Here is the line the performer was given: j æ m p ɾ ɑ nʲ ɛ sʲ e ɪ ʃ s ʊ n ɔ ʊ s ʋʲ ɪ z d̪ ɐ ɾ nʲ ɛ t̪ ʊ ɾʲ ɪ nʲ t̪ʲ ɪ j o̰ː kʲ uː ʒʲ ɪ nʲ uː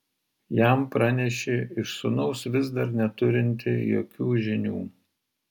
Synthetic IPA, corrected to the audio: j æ m p ɾ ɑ nʲ ɛ ʃʲ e ɪ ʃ s ʊ n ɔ ʊ s ʋʲ ɪ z d̪ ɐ ɾ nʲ ɛ t̪ ʊ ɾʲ ɪ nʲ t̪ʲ ɪ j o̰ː kʲ uː ʒʲ ɪ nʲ uː